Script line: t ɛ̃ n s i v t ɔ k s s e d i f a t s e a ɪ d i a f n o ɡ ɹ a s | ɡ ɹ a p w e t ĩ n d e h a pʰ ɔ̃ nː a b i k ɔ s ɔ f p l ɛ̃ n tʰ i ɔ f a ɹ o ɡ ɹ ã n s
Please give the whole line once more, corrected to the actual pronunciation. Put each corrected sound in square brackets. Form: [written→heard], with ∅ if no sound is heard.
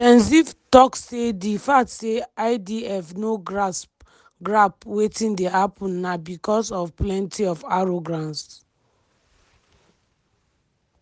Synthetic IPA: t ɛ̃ n s i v t ɔ k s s e d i f a t s e a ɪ d i [a→ɛ] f n o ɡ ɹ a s | ɡ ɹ a p w e t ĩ n d e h a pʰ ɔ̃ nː a b i k ɔ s ɔ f p l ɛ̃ n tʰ i ɔ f a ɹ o ɡ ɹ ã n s

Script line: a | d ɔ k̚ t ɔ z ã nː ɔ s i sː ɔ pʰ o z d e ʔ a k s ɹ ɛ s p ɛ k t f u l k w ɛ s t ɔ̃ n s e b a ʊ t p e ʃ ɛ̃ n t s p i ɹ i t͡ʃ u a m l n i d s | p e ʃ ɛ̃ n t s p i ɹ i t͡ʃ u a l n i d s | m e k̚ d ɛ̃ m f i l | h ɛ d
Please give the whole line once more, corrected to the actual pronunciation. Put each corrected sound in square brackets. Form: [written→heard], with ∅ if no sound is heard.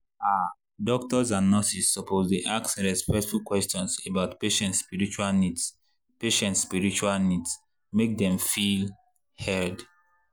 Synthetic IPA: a | d ɔ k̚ t ɔ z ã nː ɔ s i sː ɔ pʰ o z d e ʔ a k s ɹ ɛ s p ɛ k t f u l k w ɛ s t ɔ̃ n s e b a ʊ t p e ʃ ɛ̃ n t s p i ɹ i t͡ʃ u a [m→∅] l n i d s | p e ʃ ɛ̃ n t s p i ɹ i t͡ʃ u a l n i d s | m e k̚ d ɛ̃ m f i l | h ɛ d

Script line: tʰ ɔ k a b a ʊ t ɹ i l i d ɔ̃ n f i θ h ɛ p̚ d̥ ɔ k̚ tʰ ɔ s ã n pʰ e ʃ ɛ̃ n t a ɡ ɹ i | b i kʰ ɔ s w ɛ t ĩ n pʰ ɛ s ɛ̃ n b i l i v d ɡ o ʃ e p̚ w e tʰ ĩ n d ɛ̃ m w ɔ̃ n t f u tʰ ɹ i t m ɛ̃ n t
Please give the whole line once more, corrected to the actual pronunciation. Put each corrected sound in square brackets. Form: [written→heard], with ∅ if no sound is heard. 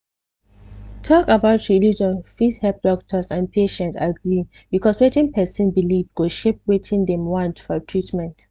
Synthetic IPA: tʰ ɔ k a b a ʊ t ɹ i l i [d→d͡ʒ] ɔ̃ n f i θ h ɛ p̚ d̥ ɔ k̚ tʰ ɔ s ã n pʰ e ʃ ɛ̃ n t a ɡ ɹ i | b i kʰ ɔ s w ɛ t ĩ n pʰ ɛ s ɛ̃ n b i l i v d ɡ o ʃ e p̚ w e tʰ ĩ n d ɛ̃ m w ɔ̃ n t f [u→ɔ] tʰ ɹ i t m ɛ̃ n t

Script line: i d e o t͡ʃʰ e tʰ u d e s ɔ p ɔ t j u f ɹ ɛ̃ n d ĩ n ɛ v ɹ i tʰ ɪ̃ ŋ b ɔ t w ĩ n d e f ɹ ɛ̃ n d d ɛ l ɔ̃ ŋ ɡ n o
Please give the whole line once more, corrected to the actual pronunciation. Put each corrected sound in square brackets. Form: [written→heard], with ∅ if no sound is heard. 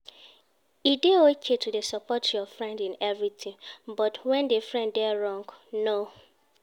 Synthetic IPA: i d e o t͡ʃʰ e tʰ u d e s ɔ p ɔ t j [u→ɔ] f ɹ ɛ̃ n d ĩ n ɛ v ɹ i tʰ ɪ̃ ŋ b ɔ t w [ĩ→ɛ̃] n d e f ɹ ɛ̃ n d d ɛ [l→ɹ] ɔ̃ ŋ ɡ n o

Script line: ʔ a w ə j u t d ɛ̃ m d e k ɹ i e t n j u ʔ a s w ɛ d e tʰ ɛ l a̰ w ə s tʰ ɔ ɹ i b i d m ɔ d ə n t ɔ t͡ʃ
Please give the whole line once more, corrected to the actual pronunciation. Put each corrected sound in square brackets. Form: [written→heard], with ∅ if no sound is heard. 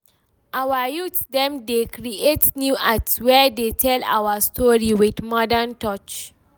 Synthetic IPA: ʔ a w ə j u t d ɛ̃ m d e k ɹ i e t n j u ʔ a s w ɛ d e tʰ ɛ l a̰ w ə s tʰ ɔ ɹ i [b→w] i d m ɔ d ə n t ɔ t͡ʃ

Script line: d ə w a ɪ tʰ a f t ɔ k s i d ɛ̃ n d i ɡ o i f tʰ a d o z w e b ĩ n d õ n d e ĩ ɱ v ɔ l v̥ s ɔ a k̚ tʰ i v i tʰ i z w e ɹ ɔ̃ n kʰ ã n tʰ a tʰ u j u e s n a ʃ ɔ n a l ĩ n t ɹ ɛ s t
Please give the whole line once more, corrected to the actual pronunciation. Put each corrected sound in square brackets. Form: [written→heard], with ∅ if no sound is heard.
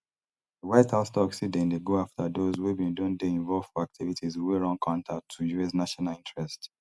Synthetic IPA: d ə w a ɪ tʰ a [f→s] t ɔ k s i d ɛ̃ n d [i→e] ɡ o [i→a] f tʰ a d o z w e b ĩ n d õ n d e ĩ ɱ v ɔ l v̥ [s→f] ɔ a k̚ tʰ i v i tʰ i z w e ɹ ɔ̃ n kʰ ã n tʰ a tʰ u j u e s n a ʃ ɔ n a l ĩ n t ɹ ɛ s t

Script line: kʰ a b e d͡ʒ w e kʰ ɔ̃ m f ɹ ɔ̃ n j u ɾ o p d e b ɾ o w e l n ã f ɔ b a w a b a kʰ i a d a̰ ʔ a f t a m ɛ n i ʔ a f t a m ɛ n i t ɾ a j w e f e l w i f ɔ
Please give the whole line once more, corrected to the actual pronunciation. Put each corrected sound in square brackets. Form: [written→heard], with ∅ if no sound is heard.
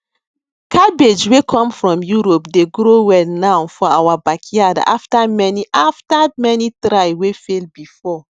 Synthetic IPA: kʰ a b e d͡ʒ w e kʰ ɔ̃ m f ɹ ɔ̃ [n→m] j u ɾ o p d e [b→ɡ] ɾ o w [e→ɛ] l n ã f ɔ [b→∅] a w a b a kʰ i a d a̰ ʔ a f t a m ɛ n i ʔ a f t a m ɛ n i t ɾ a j w e f e l [w→b] i f ɔ

